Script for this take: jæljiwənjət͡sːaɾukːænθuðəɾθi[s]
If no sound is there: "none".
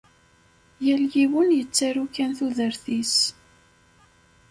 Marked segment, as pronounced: s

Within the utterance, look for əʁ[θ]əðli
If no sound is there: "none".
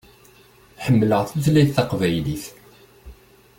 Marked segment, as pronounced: θ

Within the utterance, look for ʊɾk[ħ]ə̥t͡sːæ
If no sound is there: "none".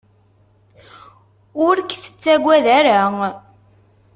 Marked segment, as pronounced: θ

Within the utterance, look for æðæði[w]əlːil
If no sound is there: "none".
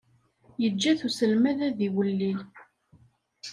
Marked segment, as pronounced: w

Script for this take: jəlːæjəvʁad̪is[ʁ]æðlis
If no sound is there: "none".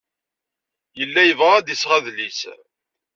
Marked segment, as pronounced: ʁ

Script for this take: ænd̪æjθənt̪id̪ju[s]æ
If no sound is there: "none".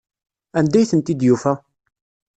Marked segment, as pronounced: f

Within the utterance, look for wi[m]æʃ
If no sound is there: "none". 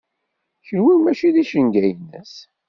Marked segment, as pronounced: m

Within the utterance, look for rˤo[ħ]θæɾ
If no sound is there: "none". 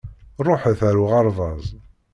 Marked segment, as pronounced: ħ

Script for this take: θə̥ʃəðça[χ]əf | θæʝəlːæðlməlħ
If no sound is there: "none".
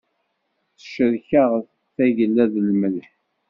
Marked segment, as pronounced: ʁ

